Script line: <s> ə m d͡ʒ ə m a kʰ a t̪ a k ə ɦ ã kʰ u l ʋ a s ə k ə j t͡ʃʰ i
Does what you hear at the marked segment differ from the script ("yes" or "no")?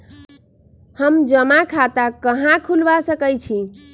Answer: yes